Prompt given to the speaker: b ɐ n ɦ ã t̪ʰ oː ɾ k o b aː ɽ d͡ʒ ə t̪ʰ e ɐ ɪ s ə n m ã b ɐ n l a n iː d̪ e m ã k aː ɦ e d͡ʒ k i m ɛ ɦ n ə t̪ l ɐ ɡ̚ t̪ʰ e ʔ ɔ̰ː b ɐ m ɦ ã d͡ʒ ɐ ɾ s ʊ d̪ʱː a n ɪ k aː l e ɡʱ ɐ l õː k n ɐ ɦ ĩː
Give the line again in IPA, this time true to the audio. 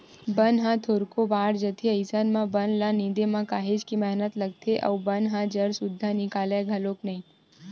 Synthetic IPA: b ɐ n ɦ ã t̪ʰ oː ɾ k o b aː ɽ d͡ʒ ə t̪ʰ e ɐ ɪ s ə n m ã b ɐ n l a n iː d̪ e m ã k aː ɦ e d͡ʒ k i m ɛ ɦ n ə t̪ l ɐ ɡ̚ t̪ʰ e ʔ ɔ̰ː b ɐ n ɦ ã d͡ʒ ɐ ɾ s ʊ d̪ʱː a n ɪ k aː l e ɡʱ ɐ l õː k n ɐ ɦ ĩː

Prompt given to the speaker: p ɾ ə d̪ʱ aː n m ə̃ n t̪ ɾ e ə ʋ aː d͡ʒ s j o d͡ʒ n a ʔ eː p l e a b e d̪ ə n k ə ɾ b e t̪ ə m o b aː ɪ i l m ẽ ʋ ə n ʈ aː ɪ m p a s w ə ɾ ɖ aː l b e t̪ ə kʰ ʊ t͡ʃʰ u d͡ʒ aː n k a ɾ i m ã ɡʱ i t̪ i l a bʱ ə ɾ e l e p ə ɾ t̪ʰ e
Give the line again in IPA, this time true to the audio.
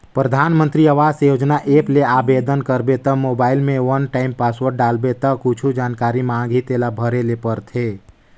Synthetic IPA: p ɾ ə d̪ʱ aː n m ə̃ n t̪ ɾ i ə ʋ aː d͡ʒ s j o d͡ʒ n a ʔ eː p l e a b e d̪ ə n k ə ɾ b e t̪ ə m o b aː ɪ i l m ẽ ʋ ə n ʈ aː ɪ m p a s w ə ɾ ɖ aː l b e t̪ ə k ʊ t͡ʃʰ u d͡ʒ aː n k a ɾ i m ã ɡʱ i t̪ e l a bʱ ə ɾ e l e p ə ɾ t̪ʰ e

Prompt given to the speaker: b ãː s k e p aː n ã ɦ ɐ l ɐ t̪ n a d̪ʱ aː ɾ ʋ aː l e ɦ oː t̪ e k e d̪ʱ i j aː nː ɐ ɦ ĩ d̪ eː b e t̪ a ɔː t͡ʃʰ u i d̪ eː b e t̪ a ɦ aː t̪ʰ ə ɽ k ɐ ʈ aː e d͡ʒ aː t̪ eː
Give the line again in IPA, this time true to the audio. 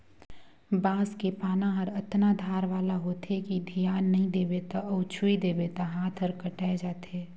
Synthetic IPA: b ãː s k e p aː n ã ɦ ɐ ɾ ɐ t̪ n a d̪ʱ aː ɾ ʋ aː l a ɦ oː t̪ e k i d̪ʱ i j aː nː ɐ ɦ ĩ d̪ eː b e t̪ a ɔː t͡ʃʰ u i d̪ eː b e t̪ a ɦ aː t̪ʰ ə ɾ k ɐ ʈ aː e d͡ʒ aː t̪ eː

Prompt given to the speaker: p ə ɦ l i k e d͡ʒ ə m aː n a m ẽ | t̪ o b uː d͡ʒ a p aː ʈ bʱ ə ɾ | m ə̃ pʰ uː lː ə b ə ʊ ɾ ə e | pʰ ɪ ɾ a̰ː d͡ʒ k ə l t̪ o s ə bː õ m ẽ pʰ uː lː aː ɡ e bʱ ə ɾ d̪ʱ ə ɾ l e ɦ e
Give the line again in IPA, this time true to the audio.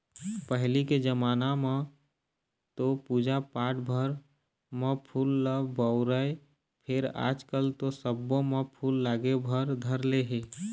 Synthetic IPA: p ə ɦ l i k e d͡ʒ ə m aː n a m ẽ | t̪ o p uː d͡ʒ a p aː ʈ bʱ ə ɾ | m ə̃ pʰ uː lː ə b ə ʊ ɾ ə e | pʰ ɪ ɾ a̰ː d͡ʒ k ə l t̪ o s ə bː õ m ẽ pʰ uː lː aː ɡ e bʱ ə ɾ d̪ʱ ə ɾ l e ɦ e

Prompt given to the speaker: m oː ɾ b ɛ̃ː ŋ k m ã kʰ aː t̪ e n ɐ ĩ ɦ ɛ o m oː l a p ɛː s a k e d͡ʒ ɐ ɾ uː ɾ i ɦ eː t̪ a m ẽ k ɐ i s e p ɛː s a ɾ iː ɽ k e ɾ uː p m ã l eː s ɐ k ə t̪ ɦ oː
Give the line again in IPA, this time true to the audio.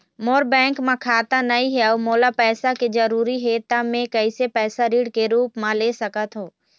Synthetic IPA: m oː ɾ b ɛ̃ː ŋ k m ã kʰ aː t̪ a n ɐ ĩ ɦ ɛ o m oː l a p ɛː s a k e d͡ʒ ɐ ɾ uː ɾ i ɦ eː t̪ a m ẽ k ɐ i s e p ɛː s a ɾ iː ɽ k e ɾ uː p m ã l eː s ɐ k ə t̪ ɦ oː

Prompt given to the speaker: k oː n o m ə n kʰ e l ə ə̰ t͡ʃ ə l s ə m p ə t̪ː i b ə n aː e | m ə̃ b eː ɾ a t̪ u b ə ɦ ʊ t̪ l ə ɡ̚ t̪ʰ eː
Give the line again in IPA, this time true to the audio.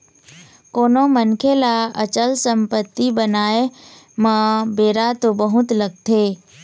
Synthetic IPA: k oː n o m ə n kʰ e l a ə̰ t͡ʃ ə l s ə m p ə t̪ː i b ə n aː e | m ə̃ b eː ɾ a t̪ o b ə ɦ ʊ t̪ l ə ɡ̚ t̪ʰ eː

